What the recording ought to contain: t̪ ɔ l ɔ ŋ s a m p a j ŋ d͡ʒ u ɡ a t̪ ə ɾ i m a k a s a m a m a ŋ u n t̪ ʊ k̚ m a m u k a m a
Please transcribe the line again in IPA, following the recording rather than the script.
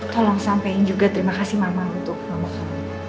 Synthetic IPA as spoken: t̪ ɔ l ɔ ŋ s a m p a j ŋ d͡ʒ u ɡ a t̪ ə ɾ i m a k a s i m a m a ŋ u n t̪ ʊ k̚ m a m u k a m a